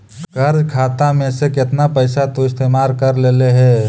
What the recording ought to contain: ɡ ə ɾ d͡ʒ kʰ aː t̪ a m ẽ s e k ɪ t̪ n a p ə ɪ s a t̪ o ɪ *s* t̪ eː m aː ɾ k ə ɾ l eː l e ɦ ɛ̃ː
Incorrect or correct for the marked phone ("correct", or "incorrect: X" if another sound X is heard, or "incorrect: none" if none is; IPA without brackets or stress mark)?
correct